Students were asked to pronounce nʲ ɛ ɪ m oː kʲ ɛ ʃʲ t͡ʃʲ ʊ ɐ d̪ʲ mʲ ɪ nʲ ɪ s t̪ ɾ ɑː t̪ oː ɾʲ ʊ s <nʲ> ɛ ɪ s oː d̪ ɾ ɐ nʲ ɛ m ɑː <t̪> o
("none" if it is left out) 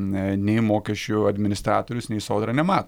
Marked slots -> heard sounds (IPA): nʲ, t̪

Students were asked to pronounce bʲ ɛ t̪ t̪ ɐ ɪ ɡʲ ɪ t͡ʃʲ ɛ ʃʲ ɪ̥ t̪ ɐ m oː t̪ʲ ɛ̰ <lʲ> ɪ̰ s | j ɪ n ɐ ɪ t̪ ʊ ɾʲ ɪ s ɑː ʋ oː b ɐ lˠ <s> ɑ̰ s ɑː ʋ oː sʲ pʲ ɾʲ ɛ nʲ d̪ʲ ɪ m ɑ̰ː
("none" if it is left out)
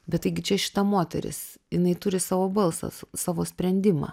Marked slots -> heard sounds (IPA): ɾʲ, s

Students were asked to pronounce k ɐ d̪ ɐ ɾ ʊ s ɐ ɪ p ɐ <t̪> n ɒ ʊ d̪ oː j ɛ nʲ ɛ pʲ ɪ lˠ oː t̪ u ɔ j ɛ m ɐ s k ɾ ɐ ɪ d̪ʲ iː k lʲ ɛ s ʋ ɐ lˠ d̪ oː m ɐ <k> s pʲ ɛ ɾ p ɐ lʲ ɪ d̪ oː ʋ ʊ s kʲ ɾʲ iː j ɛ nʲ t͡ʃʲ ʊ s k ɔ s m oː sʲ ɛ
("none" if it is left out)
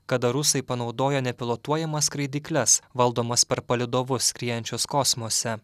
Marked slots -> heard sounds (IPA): none, none

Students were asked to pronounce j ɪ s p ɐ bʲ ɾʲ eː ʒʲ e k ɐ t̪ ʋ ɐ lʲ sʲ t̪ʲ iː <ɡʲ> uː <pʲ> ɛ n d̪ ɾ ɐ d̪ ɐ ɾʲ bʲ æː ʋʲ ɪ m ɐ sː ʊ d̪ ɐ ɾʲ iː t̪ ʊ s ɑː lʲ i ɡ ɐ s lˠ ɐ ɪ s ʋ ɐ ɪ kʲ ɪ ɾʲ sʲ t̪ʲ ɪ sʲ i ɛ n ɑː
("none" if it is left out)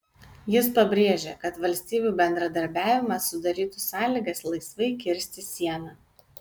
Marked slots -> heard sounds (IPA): bʲ, bʲ

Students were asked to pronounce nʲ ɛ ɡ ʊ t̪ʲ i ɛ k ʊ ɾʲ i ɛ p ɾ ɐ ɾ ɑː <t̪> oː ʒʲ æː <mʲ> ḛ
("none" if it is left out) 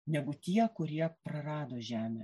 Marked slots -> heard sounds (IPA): d̪, mʲ

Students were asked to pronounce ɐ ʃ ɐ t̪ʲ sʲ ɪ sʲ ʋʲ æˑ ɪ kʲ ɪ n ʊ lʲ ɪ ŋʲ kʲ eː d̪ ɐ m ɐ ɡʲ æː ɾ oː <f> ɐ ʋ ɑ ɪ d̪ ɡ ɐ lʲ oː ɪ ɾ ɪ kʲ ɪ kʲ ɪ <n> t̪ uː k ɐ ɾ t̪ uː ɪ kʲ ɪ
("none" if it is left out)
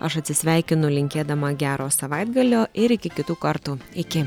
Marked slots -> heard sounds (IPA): s, none

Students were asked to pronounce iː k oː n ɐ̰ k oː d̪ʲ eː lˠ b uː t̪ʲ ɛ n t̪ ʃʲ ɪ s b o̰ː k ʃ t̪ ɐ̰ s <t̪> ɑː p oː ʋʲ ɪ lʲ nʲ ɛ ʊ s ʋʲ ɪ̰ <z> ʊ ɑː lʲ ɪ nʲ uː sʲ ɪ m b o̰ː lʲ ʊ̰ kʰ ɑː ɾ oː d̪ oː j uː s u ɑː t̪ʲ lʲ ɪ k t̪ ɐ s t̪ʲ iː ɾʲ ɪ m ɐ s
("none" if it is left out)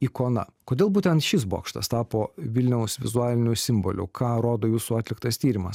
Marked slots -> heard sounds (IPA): t̪, z

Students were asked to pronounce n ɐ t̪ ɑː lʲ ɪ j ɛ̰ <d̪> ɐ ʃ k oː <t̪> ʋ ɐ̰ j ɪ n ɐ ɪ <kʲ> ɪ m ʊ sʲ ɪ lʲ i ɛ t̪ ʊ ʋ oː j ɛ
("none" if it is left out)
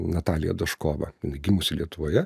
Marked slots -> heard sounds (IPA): d̪, none, ɡʲ

